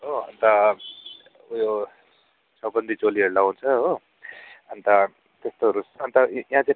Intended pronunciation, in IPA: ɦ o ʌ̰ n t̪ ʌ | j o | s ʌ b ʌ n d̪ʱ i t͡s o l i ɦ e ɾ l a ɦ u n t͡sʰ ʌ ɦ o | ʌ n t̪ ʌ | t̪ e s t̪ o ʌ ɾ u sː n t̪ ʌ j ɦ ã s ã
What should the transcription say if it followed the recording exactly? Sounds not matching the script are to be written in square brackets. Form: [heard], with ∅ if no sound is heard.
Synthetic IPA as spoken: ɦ o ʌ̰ n t̪ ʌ | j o | s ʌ b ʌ n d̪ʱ i t͡s o l i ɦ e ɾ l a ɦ u n t͡sʰ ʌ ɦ o | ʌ n t̪ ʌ | t̪ e s t̪ o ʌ ɾ u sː n t̪ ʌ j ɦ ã [t͡s] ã